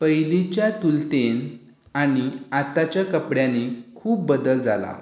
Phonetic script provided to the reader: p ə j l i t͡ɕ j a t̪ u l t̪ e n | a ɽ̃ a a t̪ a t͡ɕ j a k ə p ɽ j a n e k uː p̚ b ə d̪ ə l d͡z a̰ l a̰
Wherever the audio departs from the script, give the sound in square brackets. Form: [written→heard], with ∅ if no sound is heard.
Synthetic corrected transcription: p ə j l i t͡ɕ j a t̪ u l t̪ e n | a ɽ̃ [a→i] a t̪ a t͡ɕ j a k ə p ɽ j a n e [k→kʰ] uː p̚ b ə d̪ ə l d͡z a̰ l a̰